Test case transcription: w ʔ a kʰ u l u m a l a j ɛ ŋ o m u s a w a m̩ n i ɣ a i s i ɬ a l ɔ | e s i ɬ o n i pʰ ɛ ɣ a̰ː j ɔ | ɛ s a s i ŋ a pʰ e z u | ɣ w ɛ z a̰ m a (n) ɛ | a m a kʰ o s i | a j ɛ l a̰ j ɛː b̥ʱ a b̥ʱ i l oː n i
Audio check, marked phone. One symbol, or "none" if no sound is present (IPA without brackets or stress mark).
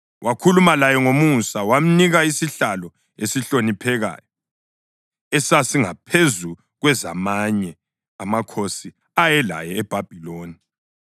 ɲ